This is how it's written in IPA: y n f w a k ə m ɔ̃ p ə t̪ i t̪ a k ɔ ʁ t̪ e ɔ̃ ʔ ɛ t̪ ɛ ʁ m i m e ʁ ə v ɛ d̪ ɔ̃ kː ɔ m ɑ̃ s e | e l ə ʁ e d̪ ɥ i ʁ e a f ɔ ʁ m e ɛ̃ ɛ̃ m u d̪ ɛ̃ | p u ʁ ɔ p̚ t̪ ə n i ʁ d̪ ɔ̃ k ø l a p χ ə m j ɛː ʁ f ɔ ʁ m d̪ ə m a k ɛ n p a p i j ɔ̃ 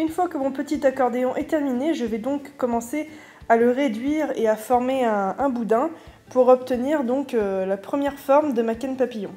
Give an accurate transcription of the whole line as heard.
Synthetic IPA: y n f w a k ə m ɔ̃ p ə t̪ i t̪ a k ɔ ʁ d̪ e ɔ̃ ʔ ɛ t̪ ɛ ʁ m i n e ʒ ə v ɛ d̪ ɔ̃ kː ɔ m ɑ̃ s e | a l ə ʁ e d̪ ɥ i ʁ e a f ɔ ʁ m e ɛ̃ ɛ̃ b u d̪ ɛ̃ | p u ʁ ɔ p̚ t̪ ə n i ʁ d̪ ɔ̃ k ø l a p χ ə m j ɛ ʁ f ɔ ʁ m d̪ ə m a k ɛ n p a p i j ɔ̃